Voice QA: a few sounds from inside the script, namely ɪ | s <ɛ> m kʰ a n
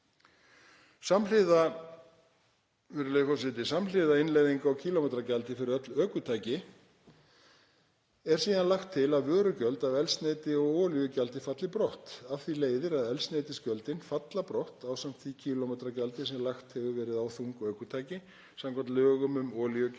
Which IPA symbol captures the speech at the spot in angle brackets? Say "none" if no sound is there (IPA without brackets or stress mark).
a